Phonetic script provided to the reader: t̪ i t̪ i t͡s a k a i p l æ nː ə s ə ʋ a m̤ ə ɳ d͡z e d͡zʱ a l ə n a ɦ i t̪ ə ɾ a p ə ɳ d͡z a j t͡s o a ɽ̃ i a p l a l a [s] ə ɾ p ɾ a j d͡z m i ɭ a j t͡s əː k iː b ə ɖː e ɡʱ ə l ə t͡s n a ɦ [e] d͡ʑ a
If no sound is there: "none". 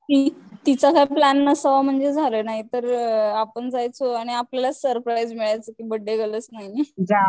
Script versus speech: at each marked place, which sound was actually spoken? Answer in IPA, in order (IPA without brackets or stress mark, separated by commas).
s, i